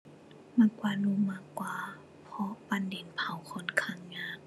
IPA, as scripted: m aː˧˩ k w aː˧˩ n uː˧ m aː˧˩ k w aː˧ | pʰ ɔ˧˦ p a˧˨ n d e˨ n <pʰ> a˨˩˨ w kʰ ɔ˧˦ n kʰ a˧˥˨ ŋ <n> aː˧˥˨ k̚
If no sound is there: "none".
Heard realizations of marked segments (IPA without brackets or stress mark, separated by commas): pʰ, ɲ